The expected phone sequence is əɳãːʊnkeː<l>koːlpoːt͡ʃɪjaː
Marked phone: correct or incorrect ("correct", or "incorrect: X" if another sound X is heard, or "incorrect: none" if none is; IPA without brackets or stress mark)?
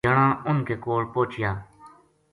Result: incorrect: none